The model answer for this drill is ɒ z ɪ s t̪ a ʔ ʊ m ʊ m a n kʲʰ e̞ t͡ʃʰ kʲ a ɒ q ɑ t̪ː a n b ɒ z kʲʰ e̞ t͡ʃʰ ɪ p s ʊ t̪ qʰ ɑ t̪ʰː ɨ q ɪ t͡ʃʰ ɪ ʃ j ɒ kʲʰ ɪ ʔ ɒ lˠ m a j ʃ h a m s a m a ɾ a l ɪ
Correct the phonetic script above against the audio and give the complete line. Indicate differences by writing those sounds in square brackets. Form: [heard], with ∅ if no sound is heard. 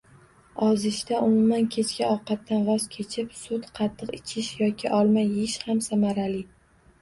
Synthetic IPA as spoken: ɒ z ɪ [ʃ] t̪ a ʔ ʊ m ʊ m a n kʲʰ e̞ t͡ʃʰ kʲ a ɒ q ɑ t̪ː a n [v] ɒ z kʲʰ e̞ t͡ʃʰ ɪ p s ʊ t̪ qʰ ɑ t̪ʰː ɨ q ɪ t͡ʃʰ ɪ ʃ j ɒ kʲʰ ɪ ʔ ɒ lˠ m a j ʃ h a m s a m a ɾ a l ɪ